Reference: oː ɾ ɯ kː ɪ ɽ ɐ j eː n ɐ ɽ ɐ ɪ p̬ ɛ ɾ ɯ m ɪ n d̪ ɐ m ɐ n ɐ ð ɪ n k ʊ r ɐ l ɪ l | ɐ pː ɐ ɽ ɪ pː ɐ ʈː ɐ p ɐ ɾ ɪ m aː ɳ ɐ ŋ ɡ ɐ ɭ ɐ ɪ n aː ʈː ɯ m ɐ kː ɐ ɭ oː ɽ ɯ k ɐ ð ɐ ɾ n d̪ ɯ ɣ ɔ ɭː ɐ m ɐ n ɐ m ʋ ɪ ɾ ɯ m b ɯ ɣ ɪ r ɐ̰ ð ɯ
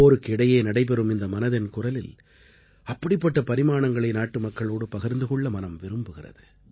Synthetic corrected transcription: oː ɾ ɯ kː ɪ ɽ ɐ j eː n ɐ ɽ ɐ ɪ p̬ ɛ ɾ ɯ m ɪ n d̪ ɐ m ɐ n ɐ ð ɪ n k ʊ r ɐ l ɪ l | ɐ pː ɐ ɽ ɪ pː ɐ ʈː ɐ p ɐ ɾ ɪ m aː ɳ ɐ ŋ ɡ ɐ ɭ ɐ ɪ n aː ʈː ɯ m ɐ kː ɐ ɭ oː ɽ ɯ p ɐ ɣ ɐ ɾ n d̪ ɯ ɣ ɔ ɭː ɐ m ɐ n ɐ m ʋ ɪ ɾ ɯ m b ɯ ɣ ɪ r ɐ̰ ð ɯ